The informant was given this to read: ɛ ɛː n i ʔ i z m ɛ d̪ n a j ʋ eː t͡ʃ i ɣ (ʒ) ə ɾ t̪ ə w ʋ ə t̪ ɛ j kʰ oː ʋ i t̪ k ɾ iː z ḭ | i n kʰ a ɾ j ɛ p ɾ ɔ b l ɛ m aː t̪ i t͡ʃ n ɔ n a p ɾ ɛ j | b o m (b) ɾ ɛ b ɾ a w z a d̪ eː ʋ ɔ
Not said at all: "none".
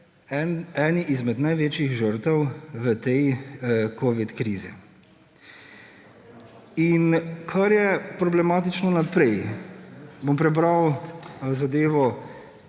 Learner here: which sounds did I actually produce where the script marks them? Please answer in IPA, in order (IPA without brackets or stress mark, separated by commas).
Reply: ʒ, p